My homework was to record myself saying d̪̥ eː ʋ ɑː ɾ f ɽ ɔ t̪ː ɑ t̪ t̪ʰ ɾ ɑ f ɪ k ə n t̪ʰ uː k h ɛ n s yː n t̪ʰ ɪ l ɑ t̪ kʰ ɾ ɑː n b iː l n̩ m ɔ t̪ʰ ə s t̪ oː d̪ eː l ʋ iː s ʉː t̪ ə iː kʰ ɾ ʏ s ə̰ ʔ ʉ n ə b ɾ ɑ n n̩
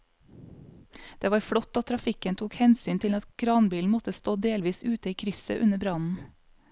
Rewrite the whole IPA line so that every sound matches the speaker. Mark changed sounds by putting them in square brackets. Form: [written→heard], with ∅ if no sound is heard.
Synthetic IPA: d̪̥ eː ʋ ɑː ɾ f ɽ ɔ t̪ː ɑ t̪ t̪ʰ ɾ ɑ f ɪ k ə n t̪ʰ uː k h ɛ n s yː n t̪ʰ ɪ l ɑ t̪ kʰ ɾ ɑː n b iː l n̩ m ɔ [t̪ʰ→t̪] ə s t̪ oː d̪ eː l ʋ iː s ʉː t̪ ə iː kʰ ɾ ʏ s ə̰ ʔ ʉ n ə b ɾ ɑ n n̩